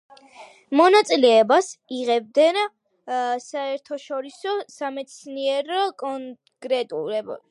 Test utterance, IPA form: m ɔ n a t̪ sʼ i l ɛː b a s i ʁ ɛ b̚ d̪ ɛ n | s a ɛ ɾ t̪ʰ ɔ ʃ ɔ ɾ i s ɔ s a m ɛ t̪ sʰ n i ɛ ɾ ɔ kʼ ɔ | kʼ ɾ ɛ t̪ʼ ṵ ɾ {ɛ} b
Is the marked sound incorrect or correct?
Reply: correct